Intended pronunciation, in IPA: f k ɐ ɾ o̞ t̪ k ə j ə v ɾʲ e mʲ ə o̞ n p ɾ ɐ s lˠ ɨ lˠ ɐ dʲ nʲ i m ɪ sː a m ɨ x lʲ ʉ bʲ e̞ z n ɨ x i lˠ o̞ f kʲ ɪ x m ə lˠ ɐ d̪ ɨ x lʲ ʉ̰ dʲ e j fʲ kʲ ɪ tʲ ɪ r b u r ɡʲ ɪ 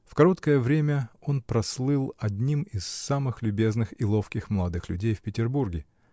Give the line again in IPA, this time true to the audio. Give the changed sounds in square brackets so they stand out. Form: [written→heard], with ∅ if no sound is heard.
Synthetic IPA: f k ɐ ɾ o̞ t̪ k ə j ə v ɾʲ e mʲ ə o̞ n p ɾ ɐ s lˠ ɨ lˠ ɐ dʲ nʲ i m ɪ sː a m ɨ x lʲ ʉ bʲ e̞ z n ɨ x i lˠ o̞ f kʲ ɪ x m ə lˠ ɐ d̪ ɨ x lʲ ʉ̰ dʲ e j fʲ [kʲ→pʲ] ɪ tʲ ɪ r b u r ɡʲ ɪ